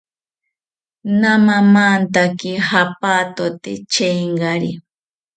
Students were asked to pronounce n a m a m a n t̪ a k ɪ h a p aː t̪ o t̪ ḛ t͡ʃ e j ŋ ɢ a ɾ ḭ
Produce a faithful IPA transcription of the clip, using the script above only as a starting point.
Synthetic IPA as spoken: n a m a m a n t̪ a k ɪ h a p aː t̪ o t̪ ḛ t͡ʃ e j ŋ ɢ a ɾ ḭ